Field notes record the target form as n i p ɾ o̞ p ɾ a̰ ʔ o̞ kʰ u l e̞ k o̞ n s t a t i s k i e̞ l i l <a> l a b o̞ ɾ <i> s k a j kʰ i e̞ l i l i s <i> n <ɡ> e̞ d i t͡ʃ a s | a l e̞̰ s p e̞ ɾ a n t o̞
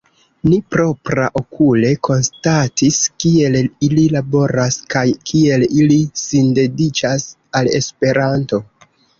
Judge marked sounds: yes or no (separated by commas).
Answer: no, no, yes, no